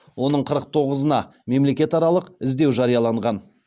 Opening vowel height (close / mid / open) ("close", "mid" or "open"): mid